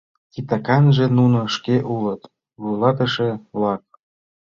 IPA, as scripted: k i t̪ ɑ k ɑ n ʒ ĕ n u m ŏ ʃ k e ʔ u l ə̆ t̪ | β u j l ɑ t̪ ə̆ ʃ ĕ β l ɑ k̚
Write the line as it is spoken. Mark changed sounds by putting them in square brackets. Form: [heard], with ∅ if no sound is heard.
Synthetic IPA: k i t̪ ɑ k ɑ n ʒ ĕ n u [n] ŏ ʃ k e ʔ u l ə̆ t̪ | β u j l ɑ t̪ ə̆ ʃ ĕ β l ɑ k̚